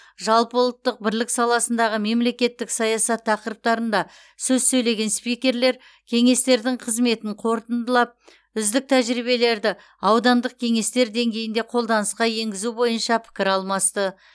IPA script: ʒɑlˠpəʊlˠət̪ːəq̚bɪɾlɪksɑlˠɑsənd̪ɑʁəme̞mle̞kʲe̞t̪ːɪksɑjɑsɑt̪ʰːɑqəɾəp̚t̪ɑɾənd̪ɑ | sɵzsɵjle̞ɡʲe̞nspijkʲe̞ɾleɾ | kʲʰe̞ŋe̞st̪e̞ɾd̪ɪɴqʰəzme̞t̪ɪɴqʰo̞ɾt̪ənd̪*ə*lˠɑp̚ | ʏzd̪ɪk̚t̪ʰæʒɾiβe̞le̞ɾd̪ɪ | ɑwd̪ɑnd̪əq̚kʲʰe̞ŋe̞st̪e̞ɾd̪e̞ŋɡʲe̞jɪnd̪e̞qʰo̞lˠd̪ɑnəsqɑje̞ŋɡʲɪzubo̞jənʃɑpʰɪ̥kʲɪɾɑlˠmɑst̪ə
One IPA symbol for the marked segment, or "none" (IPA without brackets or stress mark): ə